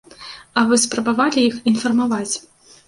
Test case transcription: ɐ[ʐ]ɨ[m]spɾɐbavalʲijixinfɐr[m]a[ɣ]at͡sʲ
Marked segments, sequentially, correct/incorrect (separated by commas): incorrect, incorrect, correct, incorrect